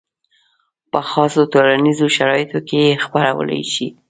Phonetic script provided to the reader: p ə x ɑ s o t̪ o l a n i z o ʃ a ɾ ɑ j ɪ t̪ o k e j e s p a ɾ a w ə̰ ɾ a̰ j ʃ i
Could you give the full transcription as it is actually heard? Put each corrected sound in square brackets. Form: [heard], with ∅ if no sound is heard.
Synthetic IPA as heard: p ə x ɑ s o t̪ o l a n i z o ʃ a ɾ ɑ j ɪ t̪ o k e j e [x] p a ɾ a w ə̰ [l] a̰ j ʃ i